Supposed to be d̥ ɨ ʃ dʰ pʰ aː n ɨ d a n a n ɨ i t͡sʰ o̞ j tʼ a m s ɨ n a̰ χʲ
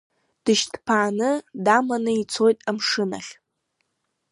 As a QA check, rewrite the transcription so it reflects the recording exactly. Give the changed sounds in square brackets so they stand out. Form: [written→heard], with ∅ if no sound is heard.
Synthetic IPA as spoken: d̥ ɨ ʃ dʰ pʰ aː n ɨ d a [n→m] a n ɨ i t͡sʰ o̞ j tʼ a m [s→ʂ] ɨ n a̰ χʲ